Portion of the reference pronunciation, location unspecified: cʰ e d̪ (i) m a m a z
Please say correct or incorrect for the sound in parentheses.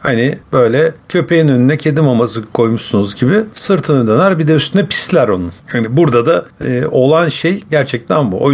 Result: correct